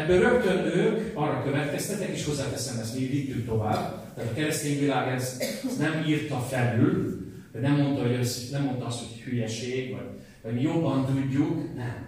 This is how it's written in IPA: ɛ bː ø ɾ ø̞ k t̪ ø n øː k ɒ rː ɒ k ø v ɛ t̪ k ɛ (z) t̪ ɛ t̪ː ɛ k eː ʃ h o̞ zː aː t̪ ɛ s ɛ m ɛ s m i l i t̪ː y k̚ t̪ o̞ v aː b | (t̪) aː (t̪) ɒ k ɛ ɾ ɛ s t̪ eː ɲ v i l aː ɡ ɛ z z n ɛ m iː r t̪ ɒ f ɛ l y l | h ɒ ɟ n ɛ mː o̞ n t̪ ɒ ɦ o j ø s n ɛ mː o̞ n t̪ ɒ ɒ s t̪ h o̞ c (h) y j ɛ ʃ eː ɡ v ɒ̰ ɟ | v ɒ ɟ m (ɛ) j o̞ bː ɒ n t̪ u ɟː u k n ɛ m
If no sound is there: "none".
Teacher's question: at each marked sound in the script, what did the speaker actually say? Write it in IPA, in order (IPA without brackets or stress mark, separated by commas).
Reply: s, t̪, t̪, h, i